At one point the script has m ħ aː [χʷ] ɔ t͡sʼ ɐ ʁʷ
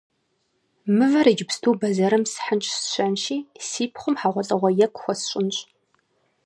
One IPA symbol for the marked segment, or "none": ʁʷ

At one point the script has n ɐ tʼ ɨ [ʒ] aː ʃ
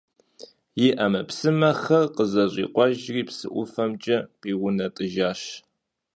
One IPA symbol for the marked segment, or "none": ʒ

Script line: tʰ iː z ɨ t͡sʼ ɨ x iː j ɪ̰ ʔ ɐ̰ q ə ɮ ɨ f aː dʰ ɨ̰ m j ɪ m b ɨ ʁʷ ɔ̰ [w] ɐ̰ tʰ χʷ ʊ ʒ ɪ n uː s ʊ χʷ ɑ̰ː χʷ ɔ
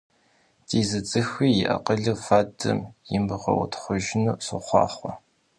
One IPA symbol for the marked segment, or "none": w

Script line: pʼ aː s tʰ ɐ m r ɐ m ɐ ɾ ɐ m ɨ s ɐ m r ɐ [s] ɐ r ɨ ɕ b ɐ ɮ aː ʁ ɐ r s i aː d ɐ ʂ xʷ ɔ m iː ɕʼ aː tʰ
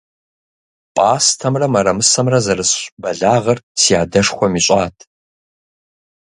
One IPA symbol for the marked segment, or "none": z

